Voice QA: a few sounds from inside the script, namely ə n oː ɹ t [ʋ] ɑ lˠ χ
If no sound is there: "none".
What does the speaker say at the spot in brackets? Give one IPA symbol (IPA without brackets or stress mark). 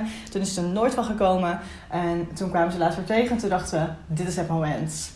ʋ